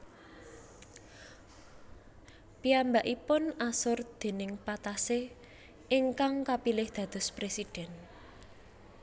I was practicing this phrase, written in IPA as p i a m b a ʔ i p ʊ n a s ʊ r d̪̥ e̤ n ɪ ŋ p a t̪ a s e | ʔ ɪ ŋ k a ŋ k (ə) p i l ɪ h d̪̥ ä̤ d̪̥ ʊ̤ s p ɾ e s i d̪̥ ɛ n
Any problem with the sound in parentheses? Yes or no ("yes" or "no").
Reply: yes